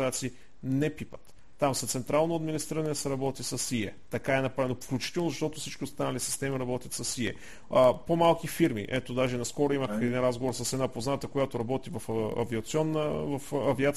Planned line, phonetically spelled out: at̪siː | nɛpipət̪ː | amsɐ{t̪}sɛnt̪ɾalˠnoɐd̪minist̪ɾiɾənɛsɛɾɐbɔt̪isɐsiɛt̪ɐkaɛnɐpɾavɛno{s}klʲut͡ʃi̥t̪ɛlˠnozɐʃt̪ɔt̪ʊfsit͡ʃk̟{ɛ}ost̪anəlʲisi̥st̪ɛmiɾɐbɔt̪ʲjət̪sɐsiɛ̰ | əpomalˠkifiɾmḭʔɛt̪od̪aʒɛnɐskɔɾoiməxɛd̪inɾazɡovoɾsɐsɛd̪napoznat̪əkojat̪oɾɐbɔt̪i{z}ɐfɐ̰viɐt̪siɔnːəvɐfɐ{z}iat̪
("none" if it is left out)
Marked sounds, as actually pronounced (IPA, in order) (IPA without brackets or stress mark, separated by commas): t̪, f, i, v, v